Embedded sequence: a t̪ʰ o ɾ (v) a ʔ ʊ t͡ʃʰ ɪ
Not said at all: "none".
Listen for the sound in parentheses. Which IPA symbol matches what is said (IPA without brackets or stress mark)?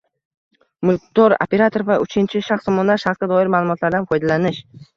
v